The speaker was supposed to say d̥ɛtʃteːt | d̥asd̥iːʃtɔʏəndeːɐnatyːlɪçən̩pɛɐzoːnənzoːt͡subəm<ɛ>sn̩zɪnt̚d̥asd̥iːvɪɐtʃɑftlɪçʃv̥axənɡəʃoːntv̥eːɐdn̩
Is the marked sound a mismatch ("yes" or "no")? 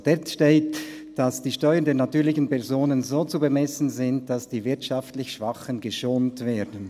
no